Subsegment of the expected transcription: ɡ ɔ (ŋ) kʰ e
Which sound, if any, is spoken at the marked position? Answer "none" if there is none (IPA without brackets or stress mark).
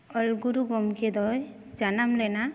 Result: m